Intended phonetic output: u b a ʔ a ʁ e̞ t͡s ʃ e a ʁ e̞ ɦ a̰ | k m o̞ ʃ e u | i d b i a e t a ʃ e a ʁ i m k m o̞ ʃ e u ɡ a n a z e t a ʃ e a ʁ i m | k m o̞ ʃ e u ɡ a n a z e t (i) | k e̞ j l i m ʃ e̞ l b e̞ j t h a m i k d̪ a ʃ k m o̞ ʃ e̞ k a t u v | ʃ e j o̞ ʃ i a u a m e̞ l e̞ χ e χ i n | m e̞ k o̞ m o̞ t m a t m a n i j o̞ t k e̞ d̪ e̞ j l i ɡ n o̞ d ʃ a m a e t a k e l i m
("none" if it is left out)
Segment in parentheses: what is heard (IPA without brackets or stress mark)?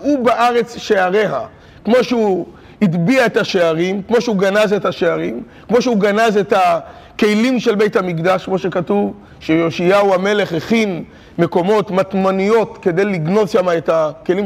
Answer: a